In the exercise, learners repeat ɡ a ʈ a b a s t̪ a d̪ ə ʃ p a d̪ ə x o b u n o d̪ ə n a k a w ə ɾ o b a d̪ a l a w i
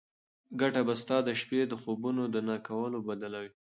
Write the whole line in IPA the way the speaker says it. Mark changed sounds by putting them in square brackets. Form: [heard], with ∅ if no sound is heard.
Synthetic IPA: ɡ a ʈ a b a s t̪ [ɑ] d̪ ə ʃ p [e] d̪ ə x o b u n o d̪ ə n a k a w ə [l] o b a d̪ a l a w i

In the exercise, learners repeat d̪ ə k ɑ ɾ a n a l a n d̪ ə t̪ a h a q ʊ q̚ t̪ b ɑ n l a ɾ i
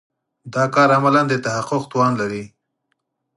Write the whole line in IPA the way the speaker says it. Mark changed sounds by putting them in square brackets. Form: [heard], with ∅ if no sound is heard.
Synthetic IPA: d̪ [ɑ] k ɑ ɾ a [m] a l a n d̪ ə t̪ a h a q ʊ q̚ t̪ [w] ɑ n l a ɾ i

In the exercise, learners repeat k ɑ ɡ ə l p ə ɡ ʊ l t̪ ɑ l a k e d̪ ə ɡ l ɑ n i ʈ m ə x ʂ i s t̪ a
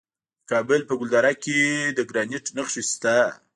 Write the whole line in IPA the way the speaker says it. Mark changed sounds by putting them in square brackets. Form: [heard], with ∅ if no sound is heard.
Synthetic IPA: k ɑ [b] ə l p ə ɡ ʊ l [d̪] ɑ [ɾ] a k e d̪ ə ɡ [ɾ] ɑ n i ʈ [n] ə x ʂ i s t̪ a

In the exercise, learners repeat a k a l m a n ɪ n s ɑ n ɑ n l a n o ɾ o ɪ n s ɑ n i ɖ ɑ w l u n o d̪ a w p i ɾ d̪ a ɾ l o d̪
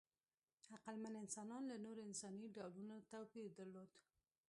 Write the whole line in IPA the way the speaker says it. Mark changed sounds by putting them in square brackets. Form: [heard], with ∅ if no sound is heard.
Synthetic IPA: a [q] a l m a n ɪ n s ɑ n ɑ n l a n o ɾ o ɪ n s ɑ n i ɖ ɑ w l u n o [t̪] a w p i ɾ d̪ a ɾ l o d̪

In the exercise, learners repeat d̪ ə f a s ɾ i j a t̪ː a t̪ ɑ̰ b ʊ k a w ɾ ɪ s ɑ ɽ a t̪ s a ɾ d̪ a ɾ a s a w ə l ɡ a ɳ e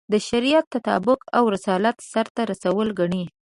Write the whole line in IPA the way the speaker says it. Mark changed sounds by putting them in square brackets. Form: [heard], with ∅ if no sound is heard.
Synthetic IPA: d̪ ə [ʃ] a [∅] ɾ i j a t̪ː a t̪ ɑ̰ b ʊ k a w ɾ ɪ s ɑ [l] a t̪ s a ɾ [t̪] a ɾ a s a w ə l ɡ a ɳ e

